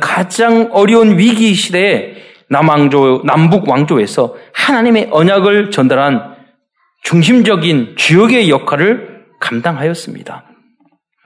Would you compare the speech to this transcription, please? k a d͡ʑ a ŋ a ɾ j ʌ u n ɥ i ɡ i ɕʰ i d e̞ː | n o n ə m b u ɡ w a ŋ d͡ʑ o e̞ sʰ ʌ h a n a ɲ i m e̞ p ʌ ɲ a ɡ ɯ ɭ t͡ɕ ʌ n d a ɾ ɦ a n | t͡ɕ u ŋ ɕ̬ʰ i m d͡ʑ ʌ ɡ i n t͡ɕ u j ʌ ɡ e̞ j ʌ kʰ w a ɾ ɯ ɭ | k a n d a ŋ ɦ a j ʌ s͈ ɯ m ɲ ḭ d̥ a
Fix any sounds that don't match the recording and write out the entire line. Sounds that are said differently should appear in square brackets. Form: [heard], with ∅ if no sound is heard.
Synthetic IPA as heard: k a d͡ʑ a ŋ [ʌ] ɾ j ʌ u n ɥ i ɡ i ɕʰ i d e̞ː | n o n [a] m b u ɡ w a ŋ d͡ʑ o e̞ sʰ ʌ h a n a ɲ i m e̞ [ʔ] ʌ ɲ a ɡ ɯ ɭ t͡ɕ ʌ n d a ɾ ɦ a n | t͡ɕ u ŋ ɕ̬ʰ i m d͡ʑ ʌ ɡ i n t͡ɕ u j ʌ ɡ e̞ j ʌ kʰ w a ɾ ɯ ɭ | k a [m] d a ŋ ɦ a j ʌ s͈ ɯ m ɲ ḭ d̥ a